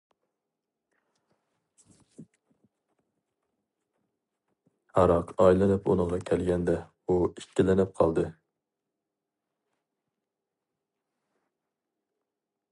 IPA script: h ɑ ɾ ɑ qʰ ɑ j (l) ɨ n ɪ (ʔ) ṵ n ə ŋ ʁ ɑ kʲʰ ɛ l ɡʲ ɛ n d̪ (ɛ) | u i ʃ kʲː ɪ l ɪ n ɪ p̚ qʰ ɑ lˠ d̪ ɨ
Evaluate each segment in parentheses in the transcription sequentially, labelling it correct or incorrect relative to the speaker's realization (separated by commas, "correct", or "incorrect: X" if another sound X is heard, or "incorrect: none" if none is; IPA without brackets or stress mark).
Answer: correct, incorrect: p, correct